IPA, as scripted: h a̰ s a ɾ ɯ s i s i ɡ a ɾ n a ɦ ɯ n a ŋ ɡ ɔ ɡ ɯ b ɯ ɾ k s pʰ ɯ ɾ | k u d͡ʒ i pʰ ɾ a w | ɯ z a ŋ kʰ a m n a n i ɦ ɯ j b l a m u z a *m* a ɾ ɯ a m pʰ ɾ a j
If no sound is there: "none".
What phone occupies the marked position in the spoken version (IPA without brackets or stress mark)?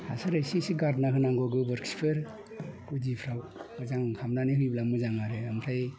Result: ŋ